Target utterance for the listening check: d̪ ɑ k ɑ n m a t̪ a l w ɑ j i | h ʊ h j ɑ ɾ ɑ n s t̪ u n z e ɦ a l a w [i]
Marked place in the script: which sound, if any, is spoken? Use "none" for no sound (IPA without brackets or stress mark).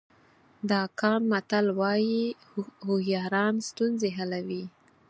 i